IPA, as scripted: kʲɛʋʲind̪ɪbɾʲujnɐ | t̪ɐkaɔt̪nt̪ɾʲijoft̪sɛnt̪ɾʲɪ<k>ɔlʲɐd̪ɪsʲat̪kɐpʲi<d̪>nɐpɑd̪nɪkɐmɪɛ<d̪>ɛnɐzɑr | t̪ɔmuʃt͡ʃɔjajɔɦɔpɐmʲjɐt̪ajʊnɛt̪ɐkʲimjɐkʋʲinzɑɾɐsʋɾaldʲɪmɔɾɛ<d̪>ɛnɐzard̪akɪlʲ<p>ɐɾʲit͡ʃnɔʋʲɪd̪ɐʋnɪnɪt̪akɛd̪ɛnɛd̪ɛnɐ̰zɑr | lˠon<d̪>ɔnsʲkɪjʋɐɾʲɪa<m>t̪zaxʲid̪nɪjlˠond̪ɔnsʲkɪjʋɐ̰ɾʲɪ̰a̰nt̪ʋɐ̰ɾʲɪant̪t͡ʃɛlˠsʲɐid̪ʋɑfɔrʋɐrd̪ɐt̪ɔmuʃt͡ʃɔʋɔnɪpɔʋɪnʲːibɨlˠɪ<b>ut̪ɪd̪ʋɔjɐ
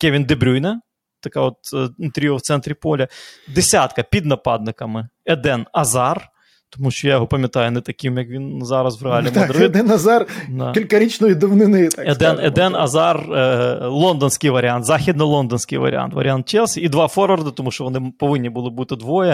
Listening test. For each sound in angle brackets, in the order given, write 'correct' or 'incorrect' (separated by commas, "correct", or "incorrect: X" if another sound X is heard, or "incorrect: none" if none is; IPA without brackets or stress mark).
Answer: incorrect: p, correct, correct, correct, incorrect: k, correct, incorrect: n, correct